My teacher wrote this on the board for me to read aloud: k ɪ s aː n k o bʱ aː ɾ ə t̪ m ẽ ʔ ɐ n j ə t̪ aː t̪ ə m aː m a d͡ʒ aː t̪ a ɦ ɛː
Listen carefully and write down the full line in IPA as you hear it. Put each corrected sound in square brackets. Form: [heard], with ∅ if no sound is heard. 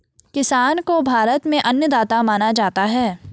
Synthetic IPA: k ɪ s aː n k o bʱ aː ɾ ə t̪ m ẽ ʔ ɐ n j ə [d̪] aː t̪ [a] m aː [n] a d͡ʒ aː t̪ a ɦ ɛː